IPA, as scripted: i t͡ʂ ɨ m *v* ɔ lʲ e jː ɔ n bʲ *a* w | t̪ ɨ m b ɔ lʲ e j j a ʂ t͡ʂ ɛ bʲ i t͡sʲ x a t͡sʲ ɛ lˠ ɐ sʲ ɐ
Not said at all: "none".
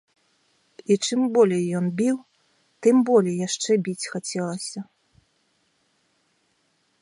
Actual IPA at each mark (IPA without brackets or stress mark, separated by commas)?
b, i